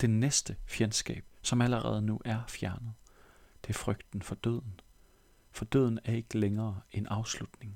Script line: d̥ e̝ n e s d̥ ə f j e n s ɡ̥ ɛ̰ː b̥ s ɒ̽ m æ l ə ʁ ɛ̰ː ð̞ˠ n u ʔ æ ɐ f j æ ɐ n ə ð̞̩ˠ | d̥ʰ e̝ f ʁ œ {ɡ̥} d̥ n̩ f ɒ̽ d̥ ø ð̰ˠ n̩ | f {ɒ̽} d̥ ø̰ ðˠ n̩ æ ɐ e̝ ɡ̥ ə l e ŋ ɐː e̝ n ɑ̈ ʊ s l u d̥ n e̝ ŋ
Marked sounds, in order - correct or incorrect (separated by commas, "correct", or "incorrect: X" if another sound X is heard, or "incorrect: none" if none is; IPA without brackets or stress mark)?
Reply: correct, correct